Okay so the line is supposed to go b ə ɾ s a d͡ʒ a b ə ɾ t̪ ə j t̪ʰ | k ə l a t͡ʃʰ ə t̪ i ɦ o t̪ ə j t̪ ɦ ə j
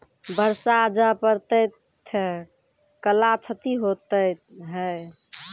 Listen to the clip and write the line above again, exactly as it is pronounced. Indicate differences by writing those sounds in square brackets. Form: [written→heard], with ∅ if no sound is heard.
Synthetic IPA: b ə ɾ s a d͡ʒ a [b→p] ə ɾ t̪ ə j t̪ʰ | k ə l a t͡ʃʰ ə t̪ i ɦ o t̪ ə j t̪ ɦ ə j